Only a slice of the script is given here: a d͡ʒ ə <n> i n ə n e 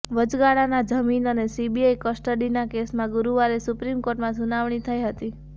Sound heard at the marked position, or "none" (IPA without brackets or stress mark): m